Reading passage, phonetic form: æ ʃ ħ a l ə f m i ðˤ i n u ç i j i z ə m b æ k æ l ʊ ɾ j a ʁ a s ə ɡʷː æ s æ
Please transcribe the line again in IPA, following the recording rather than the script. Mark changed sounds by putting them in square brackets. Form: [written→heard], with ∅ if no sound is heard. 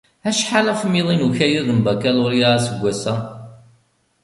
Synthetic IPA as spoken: æ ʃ ħ a l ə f m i ðˤ i n u ç [i→æ] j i [z→ð] ə m b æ k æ l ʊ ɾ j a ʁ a s ə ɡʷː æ s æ